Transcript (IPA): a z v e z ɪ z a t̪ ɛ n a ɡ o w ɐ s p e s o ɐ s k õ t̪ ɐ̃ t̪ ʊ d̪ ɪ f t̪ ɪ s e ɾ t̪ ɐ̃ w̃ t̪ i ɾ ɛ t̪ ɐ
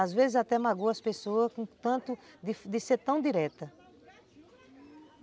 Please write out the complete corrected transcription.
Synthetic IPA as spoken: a z v e z ɪ z a t̪ ɛ m a ɡ o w ɐ s p e s o ɐ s k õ t̪ ɐ̃ t̪ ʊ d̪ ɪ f d̪ ɪ s e ɾ t̪ ɐ̃ w̃ d̪ i ɾ ɛ t̪ ɐ